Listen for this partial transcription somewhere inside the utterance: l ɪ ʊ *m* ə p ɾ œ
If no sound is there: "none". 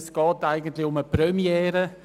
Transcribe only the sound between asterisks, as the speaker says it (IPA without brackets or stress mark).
m